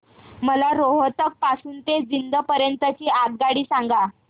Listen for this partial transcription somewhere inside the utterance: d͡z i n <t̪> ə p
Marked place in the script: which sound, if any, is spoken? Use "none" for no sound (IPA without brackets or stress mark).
d̪